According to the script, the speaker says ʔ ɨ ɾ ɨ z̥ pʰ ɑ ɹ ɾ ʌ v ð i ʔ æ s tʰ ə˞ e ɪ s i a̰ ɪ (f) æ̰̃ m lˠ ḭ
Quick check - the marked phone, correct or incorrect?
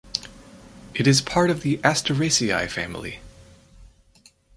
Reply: correct